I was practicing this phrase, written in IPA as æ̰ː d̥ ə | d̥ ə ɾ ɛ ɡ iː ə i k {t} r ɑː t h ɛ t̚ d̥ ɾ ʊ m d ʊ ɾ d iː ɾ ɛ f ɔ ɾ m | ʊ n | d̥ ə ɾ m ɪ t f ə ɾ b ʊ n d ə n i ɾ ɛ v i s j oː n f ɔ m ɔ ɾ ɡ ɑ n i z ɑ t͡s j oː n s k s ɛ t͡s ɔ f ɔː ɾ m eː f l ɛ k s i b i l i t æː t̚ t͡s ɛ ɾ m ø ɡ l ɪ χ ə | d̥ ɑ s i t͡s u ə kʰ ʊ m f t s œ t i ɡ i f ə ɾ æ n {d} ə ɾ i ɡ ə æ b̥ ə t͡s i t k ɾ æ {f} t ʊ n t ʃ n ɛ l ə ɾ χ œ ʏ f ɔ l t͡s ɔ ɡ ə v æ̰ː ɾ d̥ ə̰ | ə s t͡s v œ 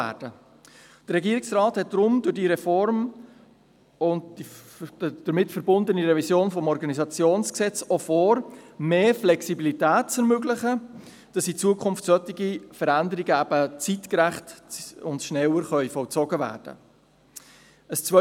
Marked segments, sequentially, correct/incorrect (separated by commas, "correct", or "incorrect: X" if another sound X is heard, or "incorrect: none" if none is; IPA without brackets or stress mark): incorrect: s, correct, incorrect: χ